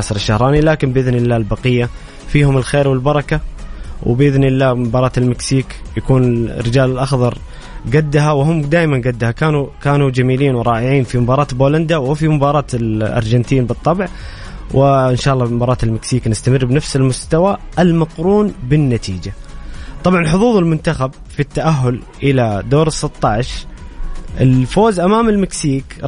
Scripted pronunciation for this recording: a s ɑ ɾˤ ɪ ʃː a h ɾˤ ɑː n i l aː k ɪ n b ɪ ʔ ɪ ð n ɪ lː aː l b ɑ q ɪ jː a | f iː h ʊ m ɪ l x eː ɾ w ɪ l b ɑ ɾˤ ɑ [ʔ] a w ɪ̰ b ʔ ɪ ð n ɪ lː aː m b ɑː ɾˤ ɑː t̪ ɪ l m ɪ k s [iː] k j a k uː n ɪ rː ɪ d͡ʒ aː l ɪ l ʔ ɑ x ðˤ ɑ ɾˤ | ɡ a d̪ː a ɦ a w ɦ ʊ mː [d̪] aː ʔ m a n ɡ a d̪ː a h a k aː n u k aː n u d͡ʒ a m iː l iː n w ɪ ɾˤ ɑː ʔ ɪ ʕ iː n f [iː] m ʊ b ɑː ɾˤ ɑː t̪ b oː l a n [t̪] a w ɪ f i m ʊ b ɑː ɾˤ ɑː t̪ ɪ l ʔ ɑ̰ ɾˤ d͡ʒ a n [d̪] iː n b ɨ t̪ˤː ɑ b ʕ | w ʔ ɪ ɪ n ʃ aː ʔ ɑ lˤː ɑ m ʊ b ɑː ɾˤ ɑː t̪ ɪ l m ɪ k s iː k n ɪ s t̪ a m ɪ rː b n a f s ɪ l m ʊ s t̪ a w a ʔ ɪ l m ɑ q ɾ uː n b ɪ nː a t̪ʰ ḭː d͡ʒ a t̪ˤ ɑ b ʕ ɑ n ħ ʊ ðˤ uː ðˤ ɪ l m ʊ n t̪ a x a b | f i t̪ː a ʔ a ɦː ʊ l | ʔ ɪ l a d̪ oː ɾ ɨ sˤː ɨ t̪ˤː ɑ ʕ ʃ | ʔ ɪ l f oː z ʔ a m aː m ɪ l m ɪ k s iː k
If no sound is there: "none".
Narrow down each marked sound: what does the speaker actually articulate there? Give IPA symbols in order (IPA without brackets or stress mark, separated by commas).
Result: k, iː, d̪, i, d̪, t̪